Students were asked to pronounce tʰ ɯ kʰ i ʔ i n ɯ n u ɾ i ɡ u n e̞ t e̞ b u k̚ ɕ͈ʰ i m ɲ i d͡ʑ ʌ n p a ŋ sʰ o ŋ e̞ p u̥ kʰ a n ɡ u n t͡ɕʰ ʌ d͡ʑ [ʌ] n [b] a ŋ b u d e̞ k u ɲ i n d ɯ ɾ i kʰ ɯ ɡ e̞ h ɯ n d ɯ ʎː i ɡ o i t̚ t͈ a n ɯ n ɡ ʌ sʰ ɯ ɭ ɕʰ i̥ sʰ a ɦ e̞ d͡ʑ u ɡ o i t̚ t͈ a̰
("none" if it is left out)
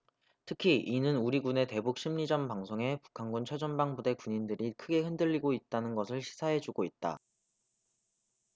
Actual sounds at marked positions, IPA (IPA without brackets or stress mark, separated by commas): ʌ, b